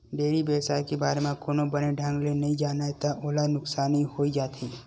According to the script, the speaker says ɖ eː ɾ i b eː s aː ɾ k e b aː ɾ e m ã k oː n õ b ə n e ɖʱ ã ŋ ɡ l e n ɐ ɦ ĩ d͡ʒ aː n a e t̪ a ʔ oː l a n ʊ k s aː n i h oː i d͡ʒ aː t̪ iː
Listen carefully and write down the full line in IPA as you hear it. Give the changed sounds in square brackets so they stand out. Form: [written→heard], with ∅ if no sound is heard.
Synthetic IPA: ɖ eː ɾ i b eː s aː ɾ k e b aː ɾ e m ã k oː n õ b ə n e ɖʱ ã ŋ ɡ l e n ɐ ɦ ĩ d͡ʒ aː n a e t̪ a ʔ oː l a n ʊ k s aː n i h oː i d͡ʒ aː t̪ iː